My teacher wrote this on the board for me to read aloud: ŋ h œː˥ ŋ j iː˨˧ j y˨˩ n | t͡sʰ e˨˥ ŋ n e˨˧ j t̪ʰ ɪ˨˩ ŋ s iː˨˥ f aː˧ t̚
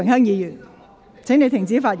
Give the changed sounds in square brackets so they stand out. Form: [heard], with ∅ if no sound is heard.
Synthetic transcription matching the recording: ŋ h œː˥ ŋ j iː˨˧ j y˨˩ n | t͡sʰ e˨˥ ŋ n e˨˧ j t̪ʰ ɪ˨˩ ŋ [t͡s] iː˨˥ f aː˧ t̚